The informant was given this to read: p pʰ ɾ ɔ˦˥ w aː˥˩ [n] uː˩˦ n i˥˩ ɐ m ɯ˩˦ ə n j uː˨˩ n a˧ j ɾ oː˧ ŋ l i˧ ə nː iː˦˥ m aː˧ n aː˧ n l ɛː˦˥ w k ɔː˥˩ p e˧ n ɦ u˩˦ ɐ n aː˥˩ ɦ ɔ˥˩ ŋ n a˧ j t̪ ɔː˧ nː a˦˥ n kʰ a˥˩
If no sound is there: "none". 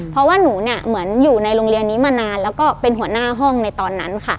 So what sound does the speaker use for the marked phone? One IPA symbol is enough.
n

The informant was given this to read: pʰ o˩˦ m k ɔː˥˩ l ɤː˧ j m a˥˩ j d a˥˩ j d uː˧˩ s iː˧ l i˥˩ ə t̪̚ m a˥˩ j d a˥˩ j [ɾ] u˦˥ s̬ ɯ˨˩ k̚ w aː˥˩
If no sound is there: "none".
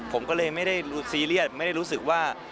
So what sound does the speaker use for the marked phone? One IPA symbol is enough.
ɾ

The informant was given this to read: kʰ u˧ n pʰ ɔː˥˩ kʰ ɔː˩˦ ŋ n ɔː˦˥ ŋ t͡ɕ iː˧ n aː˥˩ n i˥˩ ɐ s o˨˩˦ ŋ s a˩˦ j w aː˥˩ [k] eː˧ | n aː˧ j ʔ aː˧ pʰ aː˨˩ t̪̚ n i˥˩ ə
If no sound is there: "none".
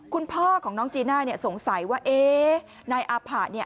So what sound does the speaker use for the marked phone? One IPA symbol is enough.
ʔ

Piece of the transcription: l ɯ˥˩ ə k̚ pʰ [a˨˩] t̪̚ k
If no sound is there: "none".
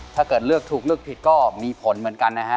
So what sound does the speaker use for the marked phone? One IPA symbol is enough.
i˨˩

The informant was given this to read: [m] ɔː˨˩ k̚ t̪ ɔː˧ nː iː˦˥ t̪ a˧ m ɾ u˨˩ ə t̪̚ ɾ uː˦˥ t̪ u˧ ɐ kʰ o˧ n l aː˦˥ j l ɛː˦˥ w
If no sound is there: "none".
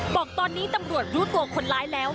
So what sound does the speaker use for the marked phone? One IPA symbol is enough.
b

